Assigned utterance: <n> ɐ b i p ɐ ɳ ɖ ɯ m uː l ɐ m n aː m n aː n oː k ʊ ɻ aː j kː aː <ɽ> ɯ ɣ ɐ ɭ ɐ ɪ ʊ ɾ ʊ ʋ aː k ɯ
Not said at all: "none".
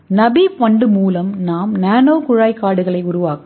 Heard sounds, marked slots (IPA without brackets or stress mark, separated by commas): n, ɽ